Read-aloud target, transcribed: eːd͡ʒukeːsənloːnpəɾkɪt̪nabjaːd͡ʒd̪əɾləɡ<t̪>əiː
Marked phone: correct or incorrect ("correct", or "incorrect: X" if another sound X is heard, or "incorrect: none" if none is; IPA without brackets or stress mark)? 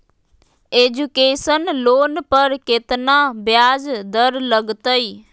correct